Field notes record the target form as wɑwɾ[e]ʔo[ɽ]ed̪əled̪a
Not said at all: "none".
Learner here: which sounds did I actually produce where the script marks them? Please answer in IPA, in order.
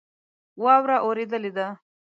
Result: a, ɾ

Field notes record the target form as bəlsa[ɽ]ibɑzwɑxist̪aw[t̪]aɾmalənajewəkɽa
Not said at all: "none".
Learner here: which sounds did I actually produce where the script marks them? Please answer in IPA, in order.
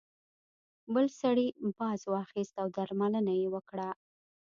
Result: ɽ, d̪

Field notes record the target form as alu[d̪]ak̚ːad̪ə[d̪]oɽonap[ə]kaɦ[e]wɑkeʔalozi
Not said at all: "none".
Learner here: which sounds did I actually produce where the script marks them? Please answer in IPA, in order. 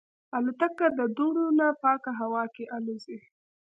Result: t̪, d̪, ɑ, a

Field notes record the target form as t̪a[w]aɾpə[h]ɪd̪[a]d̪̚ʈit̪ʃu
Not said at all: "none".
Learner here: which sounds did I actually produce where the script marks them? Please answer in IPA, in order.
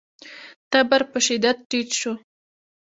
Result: b, ʃ, a

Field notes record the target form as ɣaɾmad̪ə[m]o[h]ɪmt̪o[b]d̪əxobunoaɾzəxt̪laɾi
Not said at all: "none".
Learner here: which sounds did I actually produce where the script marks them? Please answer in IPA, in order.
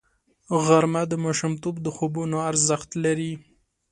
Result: m, ʃ, b

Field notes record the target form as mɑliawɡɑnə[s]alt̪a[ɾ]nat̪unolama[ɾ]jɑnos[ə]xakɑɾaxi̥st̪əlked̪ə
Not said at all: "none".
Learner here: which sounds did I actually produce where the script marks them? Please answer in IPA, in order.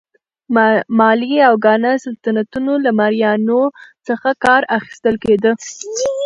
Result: s, none, ɾ, ə

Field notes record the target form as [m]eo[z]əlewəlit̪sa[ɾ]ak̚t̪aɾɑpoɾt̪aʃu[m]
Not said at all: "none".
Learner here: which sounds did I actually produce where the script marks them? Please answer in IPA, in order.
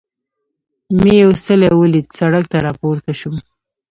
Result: m, s, ɽ, m

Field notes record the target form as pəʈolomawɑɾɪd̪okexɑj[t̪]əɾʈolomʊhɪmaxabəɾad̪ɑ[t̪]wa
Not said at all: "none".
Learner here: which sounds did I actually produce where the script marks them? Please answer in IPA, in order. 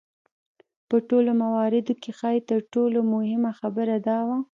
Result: t̪, none

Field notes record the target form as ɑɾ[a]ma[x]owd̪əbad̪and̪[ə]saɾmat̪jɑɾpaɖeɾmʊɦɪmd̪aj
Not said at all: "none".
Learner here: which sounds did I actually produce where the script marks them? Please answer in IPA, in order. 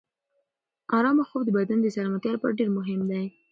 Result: ɑ, x, ə

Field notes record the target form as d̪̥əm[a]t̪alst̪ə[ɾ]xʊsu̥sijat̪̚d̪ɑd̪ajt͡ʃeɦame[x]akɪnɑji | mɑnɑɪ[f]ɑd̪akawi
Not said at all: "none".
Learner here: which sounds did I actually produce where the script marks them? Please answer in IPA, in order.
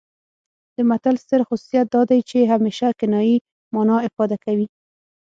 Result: a, ɾ, ʃ, f

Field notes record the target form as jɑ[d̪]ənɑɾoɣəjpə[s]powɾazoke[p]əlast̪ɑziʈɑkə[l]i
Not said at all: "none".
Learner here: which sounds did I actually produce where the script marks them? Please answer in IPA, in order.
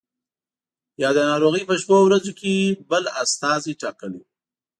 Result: d̪, ʃ, b, l

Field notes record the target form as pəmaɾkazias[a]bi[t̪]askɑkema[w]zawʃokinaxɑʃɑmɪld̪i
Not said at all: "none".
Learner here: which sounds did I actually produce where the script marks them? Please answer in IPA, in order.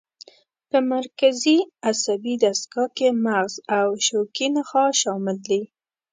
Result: a, d̪, ɣ

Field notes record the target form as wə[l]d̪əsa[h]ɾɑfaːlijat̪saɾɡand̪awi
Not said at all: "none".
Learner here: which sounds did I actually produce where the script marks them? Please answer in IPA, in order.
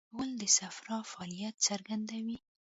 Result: l, f

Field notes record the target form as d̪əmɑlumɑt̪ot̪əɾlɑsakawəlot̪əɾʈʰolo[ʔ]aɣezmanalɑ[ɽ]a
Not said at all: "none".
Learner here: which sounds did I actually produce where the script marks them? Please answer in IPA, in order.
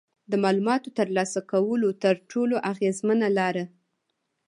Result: ʔ, ɾ

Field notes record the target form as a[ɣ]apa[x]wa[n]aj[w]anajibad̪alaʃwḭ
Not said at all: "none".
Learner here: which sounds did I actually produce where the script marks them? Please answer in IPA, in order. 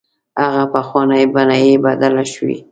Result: ɣ, x, n, b

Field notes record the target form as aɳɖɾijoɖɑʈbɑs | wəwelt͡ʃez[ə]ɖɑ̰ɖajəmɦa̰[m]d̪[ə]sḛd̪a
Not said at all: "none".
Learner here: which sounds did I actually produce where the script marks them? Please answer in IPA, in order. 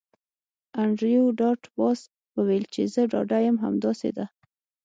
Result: ə, m, ɑ

